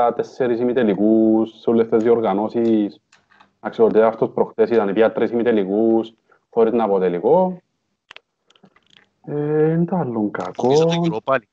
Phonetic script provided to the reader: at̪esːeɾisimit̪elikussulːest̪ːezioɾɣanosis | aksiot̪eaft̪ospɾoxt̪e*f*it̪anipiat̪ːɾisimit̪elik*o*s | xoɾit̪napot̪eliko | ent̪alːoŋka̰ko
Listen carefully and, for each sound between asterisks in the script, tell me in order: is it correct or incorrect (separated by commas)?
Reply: incorrect, incorrect